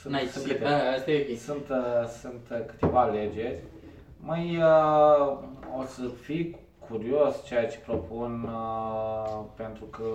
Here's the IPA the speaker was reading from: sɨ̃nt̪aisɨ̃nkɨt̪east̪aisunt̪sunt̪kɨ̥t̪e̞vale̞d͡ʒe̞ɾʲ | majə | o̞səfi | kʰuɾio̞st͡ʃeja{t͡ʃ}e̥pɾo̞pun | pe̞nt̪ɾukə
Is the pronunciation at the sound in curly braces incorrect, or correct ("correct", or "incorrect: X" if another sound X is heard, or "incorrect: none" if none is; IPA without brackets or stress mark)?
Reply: correct